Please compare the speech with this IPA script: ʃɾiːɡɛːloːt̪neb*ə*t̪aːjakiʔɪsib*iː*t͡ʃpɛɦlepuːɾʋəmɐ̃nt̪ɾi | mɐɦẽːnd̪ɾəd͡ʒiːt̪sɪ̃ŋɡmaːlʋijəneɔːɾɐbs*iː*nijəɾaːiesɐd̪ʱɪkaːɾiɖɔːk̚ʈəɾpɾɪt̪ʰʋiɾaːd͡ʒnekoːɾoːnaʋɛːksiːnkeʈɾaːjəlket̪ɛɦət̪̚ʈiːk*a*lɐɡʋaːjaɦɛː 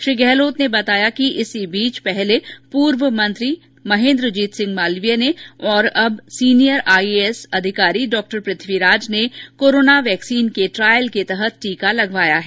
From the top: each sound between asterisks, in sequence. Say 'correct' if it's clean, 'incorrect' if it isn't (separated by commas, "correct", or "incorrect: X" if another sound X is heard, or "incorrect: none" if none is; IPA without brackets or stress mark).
incorrect: ɐ, correct, correct, correct